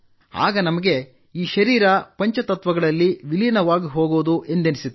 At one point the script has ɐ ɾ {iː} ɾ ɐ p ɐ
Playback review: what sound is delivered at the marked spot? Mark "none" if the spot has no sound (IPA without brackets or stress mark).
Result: iː